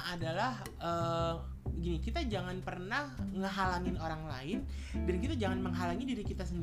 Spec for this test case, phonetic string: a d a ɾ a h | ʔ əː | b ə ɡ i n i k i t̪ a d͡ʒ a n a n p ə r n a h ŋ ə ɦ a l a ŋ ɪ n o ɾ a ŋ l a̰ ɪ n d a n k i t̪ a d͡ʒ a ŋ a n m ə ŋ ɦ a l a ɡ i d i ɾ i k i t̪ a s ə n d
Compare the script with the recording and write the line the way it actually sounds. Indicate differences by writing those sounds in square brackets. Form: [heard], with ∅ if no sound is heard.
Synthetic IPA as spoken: a d a [l] a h | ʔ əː | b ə ɡ i n i k i t̪ a d͡ʒ a [ŋ] a n p ə r n a h ŋ ə ɦ a l a ŋ ɪ n o ɾ a ŋ l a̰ ɪ n d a n k i t̪ a d͡ʒ a ŋ a n m ə ŋ ɦ a l a [ŋ] i d i ɾ i k i t̪ a s ə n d